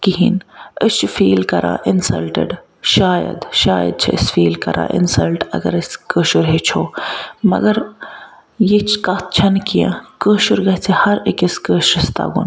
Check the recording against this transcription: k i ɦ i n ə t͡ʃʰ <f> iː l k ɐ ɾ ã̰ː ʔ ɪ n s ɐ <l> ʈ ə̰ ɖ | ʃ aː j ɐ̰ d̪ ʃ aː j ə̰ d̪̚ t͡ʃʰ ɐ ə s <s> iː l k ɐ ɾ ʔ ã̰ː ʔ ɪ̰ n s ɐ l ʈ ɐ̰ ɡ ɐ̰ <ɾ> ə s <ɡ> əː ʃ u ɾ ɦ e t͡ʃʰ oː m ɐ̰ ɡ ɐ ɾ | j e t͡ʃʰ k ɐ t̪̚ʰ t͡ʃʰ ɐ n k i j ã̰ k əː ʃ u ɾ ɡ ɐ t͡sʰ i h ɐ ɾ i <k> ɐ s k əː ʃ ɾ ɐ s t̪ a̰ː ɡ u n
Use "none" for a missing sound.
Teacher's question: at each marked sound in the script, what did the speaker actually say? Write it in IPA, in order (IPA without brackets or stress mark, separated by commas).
f, l, f, ɾ, k, k